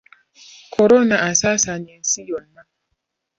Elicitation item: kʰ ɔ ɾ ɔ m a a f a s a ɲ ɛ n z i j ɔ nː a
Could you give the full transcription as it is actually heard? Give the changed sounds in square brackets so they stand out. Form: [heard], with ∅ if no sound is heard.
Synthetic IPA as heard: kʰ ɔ ɾ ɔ [n] a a [s] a s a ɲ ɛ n [s] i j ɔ nː a